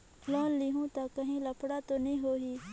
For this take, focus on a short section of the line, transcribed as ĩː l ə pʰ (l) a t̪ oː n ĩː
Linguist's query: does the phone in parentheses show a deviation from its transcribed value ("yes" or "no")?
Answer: yes